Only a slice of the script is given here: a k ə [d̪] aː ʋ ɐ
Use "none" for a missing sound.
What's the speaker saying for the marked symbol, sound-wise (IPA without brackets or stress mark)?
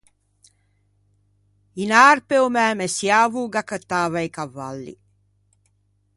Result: t̪